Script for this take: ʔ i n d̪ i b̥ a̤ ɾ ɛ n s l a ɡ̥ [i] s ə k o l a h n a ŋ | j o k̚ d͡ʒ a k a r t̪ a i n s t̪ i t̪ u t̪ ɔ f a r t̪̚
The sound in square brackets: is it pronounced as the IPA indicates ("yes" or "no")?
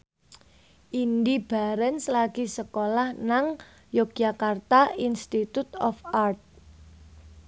yes